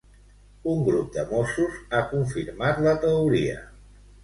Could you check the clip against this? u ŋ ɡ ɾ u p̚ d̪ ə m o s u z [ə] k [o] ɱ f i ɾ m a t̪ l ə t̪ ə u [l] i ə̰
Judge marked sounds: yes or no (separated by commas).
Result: no, no, no